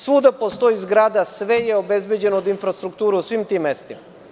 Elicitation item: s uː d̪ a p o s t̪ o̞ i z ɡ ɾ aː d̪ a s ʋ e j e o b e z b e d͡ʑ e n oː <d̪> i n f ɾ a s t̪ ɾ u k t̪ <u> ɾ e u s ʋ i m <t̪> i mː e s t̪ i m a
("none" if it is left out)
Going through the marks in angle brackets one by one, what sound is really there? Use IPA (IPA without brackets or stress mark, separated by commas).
d̪, uː, t̪